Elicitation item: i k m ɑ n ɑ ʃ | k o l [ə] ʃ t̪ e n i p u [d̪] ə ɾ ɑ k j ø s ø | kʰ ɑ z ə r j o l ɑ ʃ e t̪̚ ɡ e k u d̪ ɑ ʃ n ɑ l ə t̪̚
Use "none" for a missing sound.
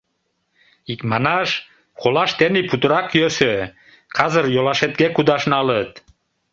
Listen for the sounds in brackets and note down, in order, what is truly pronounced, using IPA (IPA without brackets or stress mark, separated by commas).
ɑ, t̪